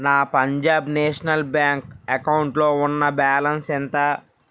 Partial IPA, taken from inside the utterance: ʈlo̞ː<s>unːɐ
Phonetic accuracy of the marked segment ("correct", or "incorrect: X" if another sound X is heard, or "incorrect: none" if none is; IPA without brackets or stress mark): incorrect: none